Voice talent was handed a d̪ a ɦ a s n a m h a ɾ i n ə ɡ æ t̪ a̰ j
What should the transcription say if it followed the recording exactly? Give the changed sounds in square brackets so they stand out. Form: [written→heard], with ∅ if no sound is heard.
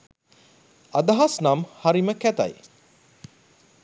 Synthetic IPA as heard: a d̪ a ɦ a s n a m h a ɾ i [n→m] ə [ɡ→k] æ t̪ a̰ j